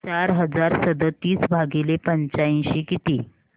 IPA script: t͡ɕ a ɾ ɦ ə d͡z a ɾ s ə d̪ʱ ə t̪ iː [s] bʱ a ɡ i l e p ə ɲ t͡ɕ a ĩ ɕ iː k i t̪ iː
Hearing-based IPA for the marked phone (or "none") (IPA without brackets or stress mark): s